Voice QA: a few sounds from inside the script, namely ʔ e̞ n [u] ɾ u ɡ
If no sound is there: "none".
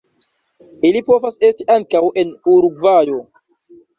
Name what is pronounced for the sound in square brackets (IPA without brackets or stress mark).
u